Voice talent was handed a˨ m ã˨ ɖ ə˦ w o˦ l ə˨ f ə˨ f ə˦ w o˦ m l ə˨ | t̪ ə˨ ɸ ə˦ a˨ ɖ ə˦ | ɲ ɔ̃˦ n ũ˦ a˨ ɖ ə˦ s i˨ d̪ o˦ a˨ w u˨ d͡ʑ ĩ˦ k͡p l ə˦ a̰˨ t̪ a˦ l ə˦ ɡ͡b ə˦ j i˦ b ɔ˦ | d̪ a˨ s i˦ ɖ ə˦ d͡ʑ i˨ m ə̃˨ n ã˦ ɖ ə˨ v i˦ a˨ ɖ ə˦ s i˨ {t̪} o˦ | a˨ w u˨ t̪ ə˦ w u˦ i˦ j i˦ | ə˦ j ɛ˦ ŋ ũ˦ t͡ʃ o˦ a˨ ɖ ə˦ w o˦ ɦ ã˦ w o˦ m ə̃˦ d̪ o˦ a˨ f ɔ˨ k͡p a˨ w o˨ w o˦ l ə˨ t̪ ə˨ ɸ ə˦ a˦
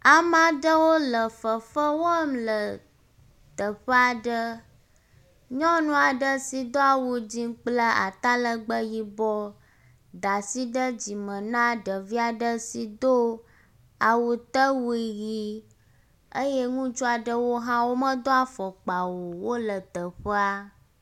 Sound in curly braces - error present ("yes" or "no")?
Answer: yes